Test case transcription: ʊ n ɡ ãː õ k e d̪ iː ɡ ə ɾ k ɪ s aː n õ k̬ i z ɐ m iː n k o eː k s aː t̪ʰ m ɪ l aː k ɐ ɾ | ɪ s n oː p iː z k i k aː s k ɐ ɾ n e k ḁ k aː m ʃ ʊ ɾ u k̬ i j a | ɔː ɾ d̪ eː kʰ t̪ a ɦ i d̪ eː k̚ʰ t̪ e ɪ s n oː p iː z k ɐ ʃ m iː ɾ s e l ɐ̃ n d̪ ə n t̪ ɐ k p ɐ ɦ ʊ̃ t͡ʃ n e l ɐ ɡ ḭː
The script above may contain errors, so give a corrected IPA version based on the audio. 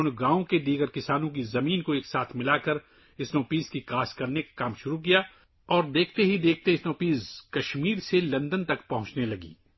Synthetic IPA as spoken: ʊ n ɡ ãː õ k e d̪ iː ɡ ə ɾ k ɪ s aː n õ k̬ i z ɐ m iː n k o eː k s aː t̪ʰ m ɪ l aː k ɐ ɾ | ɪ s n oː p iː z k i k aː s k ɐ ɾ n e k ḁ k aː m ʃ ʊ ɾ u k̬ i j a | ɔː ɾ d̪ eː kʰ t̪ e ɦ i d̪ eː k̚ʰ t̪ e ɪ s n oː p iː z k ɐ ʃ m iː ɾ s e l ɐ̃ n d̪ ə n t̪ ɐ k p ɐ ɦ ʊ̃ t͡ʃ n e l ɐ ɡ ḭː

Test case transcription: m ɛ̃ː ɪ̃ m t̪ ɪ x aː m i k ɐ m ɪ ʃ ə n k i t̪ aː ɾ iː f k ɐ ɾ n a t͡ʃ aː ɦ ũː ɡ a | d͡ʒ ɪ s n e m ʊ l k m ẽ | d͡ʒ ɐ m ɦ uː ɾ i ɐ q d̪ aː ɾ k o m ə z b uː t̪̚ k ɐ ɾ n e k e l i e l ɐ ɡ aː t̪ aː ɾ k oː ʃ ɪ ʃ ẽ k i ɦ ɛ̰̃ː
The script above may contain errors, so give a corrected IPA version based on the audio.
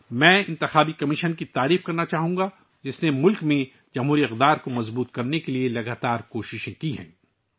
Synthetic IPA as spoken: m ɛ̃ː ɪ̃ n t̪ ɪ x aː b i k ɐ m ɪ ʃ ə n k i t̪ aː ɾ iː f k ɐ ɾ n a t͡ʃ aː ɦ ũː ɡ a | d͡ʒ ɪ s n e m ʊ l k m ẽ | d͡ʒ ɐ m ɦ uː ɾ i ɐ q d̪ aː ɾ k o m ɐ z b uː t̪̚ k ɐ ɾ n e k e l i e l ɐ ɡ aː t̪ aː ɾ k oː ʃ ɪ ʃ ẽ k i ɦ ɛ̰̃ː

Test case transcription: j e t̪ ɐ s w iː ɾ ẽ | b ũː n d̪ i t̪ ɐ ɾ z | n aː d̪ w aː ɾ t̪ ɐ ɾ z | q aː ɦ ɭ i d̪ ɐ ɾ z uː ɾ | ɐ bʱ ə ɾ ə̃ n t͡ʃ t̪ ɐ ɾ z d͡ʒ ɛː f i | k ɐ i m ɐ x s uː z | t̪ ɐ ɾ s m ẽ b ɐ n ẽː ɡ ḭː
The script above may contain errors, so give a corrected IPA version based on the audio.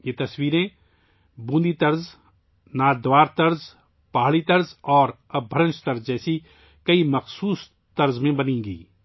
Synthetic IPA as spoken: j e t̪ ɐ s w iː ɾ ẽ | b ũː n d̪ i t̪ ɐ ɾ z | n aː d̪ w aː ɾ t̪ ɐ ɾ z | p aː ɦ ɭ i t̪ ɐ ɾ z ɔː ɾ | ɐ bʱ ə ɾ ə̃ n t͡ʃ t̪ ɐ ɾ z d͡ʒ ɛː s i | k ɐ i m ɐ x s uː s | t̪ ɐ ɾ z m ẽ b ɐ n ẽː ɡ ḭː

